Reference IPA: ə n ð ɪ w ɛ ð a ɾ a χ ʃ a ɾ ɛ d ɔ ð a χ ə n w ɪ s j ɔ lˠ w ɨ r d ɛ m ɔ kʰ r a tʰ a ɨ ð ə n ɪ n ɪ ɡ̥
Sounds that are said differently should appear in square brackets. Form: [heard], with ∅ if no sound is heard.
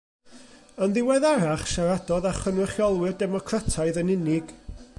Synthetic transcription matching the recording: ə n ð ɪ w ɛ ð a ɾ a χ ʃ a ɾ [a] d ɔ ð a χ ə n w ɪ [χ] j ɔ lˠ w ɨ r d ɛ m ɔ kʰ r a tʰ a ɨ ð ə n ɪ n ɪ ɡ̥